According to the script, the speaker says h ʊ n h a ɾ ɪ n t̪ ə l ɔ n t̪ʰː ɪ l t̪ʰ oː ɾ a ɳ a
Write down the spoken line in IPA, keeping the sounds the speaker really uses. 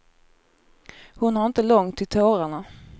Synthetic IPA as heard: h ʊ n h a ɾ ɪ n t̪ ə l ɔ ŋ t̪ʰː ɪ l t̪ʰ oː ɾ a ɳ a